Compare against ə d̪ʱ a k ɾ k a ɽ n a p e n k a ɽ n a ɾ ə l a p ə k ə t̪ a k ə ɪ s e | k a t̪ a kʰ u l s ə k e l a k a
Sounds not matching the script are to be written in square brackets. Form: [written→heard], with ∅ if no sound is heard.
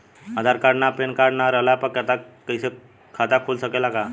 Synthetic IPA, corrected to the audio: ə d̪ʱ a [k→∅] ɾ k a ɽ n a p e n k a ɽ n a ɾ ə l a p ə k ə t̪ a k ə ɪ s e | [k→kʰ] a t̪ a kʰ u l s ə k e l a k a